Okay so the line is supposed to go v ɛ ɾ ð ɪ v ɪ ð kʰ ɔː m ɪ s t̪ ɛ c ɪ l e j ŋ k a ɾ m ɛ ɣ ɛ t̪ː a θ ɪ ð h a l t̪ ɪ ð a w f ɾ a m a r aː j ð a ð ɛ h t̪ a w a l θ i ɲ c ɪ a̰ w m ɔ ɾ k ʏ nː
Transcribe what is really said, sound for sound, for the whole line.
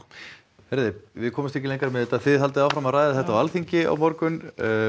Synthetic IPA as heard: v ɛ ɾ ð ɪ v ɪ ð kʰ ɔː m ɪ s t̪ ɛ c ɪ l e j ŋ k a ɾ m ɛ ð ɛ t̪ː a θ ɪ ð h a l t̪ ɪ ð a w f ɾ a m a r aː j ð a θ ɛ h t̪ a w a l θ i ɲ c ɪ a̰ w m ɔ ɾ k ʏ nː